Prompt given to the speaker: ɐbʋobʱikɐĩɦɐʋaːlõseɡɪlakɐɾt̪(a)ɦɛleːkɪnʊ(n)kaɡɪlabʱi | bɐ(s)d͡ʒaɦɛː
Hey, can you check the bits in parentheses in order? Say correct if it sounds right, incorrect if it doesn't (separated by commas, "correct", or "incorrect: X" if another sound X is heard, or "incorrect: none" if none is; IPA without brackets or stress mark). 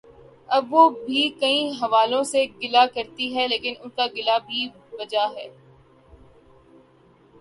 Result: incorrect: i, correct, incorrect: none